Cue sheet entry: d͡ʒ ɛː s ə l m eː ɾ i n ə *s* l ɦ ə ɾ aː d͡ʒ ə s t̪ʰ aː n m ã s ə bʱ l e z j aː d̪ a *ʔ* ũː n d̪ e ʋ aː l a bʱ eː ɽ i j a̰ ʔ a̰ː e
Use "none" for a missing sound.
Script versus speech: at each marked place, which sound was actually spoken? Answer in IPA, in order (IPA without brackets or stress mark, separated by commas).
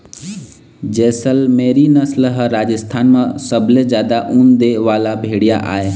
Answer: s, ʔ